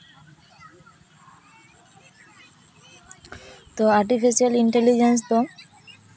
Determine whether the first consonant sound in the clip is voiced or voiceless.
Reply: voiceless